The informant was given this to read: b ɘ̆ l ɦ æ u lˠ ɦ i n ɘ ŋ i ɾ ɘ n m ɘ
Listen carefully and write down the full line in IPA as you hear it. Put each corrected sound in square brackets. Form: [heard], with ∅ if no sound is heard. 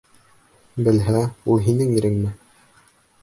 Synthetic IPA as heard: b ɘ̆ l ɦ æ u lˠ ɦ i n ɘ ŋ i ɾ ɘ [ŋ] m ɘ